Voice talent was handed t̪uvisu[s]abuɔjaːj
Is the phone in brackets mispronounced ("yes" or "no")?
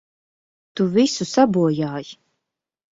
no